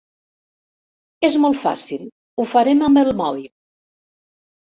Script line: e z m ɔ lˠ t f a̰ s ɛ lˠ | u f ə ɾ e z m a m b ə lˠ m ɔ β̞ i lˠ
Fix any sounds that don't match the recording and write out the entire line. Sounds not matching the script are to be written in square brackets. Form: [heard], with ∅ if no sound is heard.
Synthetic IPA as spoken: e z m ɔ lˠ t f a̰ s [i] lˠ | u f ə ɾ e [∅] m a m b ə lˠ m ɔ β̞ i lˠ